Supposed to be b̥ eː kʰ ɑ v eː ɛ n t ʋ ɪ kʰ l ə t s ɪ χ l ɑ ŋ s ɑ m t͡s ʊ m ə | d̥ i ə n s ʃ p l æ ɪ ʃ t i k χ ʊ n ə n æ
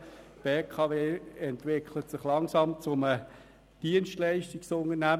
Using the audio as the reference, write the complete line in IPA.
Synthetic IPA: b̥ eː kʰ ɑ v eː ɛ n t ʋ ɪ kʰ l ə t s ɪ χ l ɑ ŋ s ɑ m t͡s ʊ m ə | d̥ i ə n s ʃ t l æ ɪ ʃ t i k s ʊ n ə n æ